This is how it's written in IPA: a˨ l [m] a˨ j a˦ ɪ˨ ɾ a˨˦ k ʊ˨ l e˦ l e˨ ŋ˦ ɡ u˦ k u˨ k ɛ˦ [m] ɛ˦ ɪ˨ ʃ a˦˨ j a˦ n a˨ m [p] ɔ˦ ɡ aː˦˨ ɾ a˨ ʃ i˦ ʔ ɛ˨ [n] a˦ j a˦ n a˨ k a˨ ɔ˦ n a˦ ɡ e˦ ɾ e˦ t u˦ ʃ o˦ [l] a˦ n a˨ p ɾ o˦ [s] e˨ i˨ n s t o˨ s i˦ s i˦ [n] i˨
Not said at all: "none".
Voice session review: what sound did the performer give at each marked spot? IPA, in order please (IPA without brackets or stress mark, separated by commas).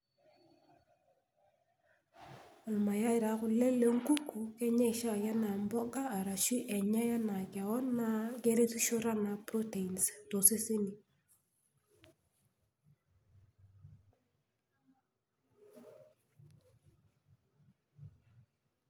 m, ɲ, b, ɲ, ɾ, t, n